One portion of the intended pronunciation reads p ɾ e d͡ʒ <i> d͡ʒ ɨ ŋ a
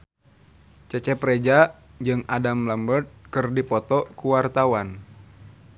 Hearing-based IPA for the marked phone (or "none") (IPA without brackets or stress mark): a